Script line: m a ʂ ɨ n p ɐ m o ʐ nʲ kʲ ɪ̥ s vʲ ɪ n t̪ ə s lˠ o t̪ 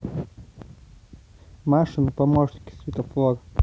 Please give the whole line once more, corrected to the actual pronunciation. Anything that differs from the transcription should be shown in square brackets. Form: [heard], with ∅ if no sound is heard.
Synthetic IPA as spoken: m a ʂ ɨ n p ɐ m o ʐ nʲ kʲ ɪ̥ s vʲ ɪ [∅] t̪ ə [f] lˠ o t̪